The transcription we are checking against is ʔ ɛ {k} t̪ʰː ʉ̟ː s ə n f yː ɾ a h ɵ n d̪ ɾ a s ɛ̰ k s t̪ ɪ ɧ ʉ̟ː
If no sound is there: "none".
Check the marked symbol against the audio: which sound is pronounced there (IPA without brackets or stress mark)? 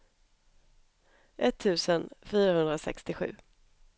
none